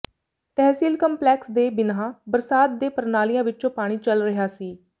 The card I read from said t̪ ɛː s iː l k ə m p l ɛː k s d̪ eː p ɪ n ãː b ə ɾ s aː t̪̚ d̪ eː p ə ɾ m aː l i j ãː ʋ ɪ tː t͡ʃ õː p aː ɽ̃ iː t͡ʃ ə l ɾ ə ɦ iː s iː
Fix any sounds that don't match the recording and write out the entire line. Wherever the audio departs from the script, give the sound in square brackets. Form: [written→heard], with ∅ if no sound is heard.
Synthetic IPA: t̪ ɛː s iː l k ə m p l ɛː k s d̪ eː [p→b] ɪ n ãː b ə ɾ s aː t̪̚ d̪ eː p ə ɾ [m→n] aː l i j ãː ʋ ɪ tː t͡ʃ õː p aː ɽ̃ iː t͡ʃ ə l ɾ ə ɦ [iː→aː] s iː